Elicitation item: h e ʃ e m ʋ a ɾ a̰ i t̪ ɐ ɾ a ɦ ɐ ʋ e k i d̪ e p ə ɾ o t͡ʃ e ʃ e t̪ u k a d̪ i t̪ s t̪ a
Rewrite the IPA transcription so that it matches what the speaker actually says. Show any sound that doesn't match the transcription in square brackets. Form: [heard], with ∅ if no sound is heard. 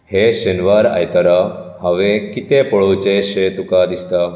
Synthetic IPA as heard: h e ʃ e [n] ʋ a ɾ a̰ [j] t̪ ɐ ɾ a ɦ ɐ ʋ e k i [t̪] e p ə [ɭ] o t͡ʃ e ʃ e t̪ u k a d̪ i [∅] s t̪ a